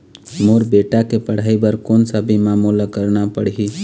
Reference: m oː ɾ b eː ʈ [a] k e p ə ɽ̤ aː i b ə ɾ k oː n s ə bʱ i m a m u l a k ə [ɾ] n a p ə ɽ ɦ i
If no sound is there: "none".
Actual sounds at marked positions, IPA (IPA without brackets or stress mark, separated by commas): a, ɾ